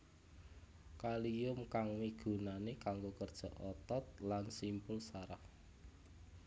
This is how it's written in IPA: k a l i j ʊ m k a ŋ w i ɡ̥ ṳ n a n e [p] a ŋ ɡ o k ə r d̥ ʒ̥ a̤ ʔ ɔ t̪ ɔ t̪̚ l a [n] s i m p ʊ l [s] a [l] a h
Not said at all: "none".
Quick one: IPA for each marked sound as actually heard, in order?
k, n, s, ɾ

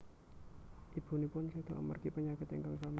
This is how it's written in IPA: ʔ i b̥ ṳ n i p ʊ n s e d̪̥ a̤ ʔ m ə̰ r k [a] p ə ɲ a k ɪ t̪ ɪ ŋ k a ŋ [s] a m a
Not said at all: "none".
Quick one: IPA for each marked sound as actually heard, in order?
i, s

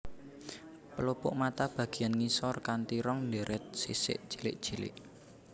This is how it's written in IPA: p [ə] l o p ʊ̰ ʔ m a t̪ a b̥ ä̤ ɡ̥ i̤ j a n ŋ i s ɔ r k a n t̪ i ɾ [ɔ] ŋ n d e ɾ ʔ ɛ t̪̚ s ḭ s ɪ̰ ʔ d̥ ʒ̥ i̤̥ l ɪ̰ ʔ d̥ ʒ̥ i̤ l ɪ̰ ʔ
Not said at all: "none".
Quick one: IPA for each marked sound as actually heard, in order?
ə, ɔ

